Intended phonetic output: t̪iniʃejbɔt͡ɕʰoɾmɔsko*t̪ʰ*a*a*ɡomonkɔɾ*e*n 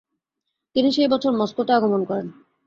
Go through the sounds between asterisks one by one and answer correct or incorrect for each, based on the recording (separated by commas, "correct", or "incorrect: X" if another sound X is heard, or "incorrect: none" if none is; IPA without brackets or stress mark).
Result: incorrect: t̪, correct, correct